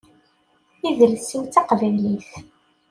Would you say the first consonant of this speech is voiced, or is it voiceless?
voiced